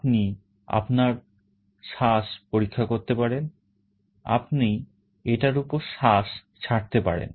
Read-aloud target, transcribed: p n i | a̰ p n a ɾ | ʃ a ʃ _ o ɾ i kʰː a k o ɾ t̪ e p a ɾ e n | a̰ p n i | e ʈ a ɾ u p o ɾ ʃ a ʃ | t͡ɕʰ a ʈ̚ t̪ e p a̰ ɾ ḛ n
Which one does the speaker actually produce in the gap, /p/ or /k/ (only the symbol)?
p